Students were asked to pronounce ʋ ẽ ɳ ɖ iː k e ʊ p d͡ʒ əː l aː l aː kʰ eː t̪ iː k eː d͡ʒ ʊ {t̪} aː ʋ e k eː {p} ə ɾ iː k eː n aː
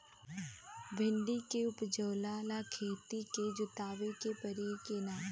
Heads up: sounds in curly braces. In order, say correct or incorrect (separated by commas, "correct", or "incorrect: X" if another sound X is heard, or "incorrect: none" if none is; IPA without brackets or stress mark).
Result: correct, correct